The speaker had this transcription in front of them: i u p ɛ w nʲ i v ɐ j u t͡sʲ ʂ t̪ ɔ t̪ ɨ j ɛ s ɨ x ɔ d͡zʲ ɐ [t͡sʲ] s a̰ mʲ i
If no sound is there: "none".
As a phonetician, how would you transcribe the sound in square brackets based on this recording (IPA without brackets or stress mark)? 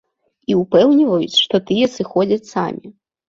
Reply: t͡sʲ